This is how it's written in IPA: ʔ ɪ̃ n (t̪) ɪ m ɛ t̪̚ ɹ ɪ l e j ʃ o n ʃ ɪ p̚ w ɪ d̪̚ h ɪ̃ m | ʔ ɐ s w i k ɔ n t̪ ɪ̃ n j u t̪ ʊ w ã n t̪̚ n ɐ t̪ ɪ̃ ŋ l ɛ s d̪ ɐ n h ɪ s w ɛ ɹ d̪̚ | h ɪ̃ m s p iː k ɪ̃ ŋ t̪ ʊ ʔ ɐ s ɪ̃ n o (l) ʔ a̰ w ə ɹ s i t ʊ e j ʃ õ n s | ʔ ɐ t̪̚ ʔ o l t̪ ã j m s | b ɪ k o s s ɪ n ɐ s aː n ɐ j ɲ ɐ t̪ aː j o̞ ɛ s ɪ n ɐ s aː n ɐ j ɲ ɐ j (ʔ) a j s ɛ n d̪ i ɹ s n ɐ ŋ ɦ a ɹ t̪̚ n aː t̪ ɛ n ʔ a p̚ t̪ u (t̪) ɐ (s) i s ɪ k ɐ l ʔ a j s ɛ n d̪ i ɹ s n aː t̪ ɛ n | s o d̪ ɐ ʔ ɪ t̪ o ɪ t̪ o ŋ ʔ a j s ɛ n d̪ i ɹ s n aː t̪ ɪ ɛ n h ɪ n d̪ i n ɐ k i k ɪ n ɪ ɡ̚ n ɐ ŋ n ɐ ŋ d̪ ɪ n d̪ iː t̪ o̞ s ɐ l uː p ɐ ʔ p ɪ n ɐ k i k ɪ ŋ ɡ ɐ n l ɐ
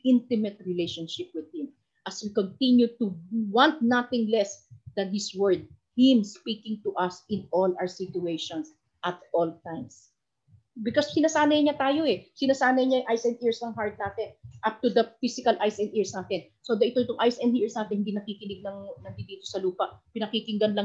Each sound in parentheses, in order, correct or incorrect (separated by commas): correct, correct, correct, incorrect, incorrect